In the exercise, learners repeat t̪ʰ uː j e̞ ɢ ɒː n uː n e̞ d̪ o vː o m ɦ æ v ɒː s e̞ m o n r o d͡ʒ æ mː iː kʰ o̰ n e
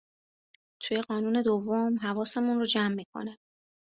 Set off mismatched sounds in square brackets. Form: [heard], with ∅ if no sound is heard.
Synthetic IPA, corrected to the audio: t̪ʰ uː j e̞ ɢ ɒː n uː n e̞ d̪ o vː o m ɦ æ v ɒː s e̞ m [u] n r o d͡ʒ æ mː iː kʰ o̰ n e